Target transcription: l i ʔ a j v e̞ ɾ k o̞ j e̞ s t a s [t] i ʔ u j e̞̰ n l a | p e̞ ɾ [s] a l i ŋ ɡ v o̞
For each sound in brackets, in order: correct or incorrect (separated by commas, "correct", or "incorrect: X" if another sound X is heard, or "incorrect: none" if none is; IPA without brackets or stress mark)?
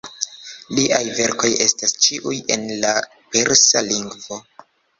incorrect: t͡ʃ, correct